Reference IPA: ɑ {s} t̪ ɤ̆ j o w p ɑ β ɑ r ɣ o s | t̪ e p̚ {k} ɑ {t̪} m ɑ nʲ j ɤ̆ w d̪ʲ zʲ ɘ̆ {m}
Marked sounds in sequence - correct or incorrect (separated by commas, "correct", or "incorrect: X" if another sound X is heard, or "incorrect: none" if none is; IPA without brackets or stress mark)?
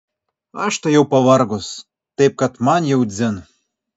incorrect: ʃ, correct, correct, incorrect: n